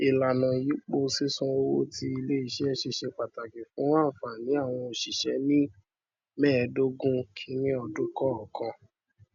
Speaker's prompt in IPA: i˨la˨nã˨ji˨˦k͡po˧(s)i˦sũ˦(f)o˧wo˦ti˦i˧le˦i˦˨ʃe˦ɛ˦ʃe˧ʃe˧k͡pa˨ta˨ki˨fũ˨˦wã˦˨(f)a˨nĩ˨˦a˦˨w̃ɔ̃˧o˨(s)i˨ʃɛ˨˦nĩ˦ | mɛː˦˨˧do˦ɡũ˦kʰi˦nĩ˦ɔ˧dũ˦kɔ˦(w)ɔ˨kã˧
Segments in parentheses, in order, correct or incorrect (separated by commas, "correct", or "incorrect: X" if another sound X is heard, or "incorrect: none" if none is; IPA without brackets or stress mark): correct, incorrect: none, correct, incorrect: ʃ, incorrect: none